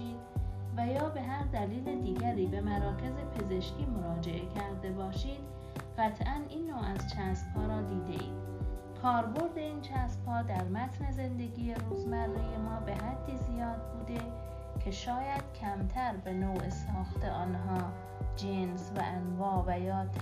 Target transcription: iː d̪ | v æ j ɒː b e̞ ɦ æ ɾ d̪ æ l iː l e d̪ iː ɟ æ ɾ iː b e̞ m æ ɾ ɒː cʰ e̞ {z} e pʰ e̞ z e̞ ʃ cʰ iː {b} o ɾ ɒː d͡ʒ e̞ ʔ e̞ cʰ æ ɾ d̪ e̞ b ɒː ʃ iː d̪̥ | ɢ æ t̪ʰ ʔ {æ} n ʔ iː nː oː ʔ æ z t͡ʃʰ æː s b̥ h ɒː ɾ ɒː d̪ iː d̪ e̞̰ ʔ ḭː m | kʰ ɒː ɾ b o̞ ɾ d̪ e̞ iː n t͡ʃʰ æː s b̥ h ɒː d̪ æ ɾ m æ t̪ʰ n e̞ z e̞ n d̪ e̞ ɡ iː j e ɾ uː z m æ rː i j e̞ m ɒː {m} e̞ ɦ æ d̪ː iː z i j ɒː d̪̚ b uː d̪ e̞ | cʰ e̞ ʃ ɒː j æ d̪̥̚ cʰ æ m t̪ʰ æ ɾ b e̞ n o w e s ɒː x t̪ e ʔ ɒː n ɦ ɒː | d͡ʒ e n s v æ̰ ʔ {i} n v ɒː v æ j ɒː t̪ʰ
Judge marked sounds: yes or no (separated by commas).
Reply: yes, no, yes, no, no